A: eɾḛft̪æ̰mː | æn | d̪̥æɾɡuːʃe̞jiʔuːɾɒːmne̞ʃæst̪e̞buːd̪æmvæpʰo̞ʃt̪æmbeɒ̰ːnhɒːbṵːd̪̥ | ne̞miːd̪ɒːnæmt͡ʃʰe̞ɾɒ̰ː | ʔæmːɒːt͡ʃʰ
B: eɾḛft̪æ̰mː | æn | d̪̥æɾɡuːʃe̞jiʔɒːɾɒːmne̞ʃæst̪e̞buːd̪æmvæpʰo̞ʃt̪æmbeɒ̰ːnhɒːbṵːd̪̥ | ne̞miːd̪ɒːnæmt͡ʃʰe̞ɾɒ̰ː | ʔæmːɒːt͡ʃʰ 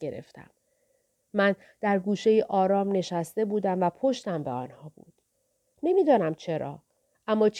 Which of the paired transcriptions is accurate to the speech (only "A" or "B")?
B